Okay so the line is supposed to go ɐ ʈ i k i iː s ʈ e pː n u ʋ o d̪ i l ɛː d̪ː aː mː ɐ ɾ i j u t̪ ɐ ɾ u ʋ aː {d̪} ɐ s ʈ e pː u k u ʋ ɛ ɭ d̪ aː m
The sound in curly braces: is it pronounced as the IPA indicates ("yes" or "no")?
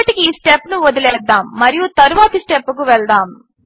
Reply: no